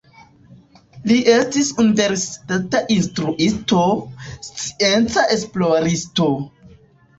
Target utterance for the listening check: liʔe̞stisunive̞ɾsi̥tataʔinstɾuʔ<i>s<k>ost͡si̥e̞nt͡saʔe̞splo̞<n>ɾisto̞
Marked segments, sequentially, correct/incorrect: correct, incorrect, incorrect

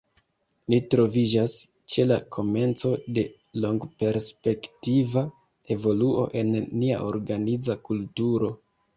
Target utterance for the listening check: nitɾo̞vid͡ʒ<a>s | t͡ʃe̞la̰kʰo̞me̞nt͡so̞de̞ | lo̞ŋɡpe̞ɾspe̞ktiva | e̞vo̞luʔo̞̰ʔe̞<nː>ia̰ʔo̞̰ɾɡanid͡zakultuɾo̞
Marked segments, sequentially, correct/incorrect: correct, correct

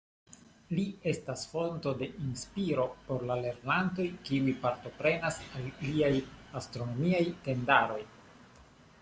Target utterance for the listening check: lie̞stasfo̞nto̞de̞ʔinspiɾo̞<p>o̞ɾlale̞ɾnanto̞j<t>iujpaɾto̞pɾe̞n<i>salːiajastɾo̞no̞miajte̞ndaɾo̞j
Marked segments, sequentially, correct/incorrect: correct, incorrect, incorrect

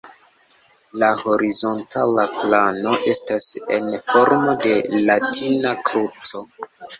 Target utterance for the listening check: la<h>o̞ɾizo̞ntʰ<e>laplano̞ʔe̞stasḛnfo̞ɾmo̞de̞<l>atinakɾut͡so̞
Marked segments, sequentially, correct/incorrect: correct, incorrect, correct

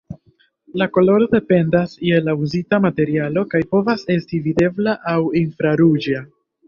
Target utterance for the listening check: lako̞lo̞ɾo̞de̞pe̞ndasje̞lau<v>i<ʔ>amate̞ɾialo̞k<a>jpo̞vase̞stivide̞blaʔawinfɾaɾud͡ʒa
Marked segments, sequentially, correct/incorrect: incorrect, incorrect, correct

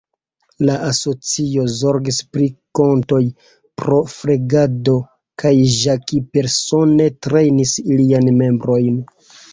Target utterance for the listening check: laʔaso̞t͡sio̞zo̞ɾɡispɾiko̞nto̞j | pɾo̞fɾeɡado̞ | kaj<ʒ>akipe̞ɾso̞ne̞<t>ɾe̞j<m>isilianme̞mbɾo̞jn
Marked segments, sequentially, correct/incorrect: correct, correct, incorrect

